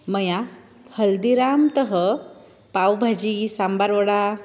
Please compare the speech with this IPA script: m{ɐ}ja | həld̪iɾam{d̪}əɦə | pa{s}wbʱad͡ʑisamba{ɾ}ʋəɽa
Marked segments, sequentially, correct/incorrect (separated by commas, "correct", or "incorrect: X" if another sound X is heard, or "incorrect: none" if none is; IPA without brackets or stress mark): incorrect: ə, incorrect: t̪, incorrect: none, correct